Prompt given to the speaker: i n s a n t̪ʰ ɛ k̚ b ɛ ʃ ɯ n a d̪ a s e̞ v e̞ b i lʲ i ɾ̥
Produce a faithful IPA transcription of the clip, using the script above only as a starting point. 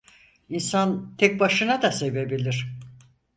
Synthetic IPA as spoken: i n s a n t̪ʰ ɛ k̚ b a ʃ ɯ n a d̪ a s e̞ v e̞ b i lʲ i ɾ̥